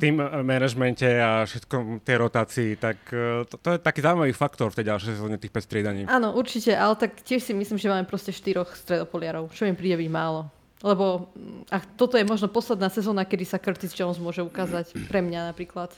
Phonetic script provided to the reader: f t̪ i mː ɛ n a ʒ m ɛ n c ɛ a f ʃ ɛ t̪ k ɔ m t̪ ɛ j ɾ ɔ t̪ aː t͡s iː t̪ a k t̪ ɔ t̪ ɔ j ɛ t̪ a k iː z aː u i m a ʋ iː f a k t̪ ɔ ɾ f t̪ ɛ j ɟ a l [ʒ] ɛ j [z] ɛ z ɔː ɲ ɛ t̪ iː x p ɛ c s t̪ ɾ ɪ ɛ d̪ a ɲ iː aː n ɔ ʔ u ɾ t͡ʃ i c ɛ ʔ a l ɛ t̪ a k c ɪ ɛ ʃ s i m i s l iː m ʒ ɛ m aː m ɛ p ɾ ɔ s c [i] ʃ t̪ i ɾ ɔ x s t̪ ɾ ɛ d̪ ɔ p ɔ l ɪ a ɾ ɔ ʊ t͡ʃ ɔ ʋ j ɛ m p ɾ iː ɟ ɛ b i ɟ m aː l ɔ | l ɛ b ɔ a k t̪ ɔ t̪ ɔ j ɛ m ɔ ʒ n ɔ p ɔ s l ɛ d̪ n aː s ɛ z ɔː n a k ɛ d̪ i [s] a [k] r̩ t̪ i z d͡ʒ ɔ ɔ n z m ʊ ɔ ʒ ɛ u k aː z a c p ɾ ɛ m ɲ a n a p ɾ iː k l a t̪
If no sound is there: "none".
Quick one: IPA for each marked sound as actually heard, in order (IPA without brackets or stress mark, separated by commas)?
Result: ʃ, s, ɛ, s, k